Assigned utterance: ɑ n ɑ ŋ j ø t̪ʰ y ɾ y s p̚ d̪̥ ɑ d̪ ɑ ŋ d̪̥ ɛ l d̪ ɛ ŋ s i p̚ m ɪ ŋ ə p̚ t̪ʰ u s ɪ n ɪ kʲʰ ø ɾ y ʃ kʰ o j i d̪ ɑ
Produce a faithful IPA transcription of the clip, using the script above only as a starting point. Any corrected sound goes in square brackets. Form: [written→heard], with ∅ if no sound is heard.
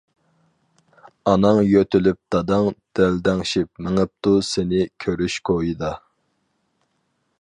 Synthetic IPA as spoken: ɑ n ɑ ŋ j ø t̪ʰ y [ɾ→l] y [s→∅] p̚ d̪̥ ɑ d̪ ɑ ŋ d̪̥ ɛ l d̪ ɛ ŋ [s→ʃ] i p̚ m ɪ ŋ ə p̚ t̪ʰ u s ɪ n ɪ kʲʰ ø ɾ y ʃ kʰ o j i d̪ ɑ